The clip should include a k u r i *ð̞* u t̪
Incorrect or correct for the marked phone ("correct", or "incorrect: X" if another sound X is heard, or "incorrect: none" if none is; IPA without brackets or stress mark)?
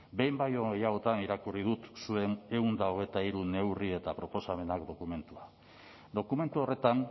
correct